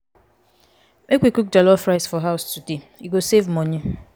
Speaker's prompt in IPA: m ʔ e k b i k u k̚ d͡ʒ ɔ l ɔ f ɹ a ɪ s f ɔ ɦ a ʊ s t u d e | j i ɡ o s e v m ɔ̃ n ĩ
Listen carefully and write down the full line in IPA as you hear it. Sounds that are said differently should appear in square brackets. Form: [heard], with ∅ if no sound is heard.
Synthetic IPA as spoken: m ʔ e k [w] i k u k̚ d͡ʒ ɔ l ɔ f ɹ a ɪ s f ɔ ɦ a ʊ s t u d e | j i ɡ o s e v m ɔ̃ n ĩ